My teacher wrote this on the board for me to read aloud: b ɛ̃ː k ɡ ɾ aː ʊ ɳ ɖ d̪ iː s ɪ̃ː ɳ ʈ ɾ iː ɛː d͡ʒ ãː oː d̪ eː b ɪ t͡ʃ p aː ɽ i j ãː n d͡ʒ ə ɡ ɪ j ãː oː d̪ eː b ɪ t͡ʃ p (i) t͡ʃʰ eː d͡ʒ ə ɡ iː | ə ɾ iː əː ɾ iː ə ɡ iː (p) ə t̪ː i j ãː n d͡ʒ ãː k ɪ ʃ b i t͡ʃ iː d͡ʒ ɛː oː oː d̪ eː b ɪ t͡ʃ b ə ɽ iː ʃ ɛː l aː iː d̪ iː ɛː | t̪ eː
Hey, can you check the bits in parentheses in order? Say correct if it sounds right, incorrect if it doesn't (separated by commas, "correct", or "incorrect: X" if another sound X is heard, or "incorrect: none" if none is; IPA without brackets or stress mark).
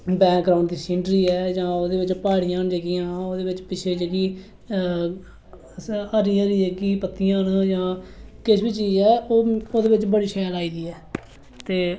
incorrect: ɪ, correct